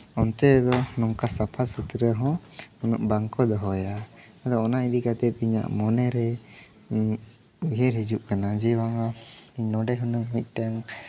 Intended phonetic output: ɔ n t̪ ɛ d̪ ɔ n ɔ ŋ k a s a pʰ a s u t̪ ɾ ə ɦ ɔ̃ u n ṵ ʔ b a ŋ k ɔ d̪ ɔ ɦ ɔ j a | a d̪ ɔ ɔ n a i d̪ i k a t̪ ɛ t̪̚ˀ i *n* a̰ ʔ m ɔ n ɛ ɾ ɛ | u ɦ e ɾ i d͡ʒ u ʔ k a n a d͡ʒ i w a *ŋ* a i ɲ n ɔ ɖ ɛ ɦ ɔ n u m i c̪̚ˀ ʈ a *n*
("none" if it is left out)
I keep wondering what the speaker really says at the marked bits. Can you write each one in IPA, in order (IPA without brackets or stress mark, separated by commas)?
ɲ, ŋ, ŋ